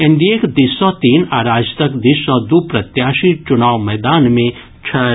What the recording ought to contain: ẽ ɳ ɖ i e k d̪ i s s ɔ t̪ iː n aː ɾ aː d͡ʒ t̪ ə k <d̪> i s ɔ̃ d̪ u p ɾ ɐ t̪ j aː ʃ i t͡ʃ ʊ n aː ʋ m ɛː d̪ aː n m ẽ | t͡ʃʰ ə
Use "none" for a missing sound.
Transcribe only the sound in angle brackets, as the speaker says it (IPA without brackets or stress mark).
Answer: d̪